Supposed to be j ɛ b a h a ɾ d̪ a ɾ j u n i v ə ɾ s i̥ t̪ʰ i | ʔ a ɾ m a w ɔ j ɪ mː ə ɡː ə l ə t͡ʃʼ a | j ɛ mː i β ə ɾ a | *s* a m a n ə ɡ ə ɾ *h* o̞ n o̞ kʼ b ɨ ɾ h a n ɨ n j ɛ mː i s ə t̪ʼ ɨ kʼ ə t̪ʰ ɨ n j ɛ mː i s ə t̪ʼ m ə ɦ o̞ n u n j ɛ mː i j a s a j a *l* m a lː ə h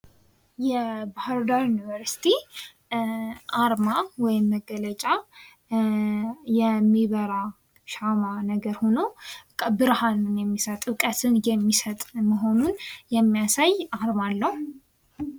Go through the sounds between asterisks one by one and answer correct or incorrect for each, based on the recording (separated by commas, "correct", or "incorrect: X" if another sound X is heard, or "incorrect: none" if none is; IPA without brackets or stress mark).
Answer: incorrect: ʃ, correct, incorrect: ɾ